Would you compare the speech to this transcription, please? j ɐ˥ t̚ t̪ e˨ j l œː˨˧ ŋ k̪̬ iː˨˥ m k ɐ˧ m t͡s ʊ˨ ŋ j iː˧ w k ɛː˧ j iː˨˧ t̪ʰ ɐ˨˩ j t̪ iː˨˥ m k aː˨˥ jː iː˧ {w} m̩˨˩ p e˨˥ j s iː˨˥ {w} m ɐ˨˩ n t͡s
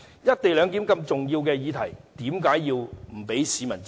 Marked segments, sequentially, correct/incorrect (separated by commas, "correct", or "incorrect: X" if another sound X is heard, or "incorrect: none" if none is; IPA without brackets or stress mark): correct, incorrect: none